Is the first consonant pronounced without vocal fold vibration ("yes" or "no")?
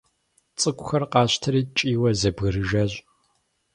yes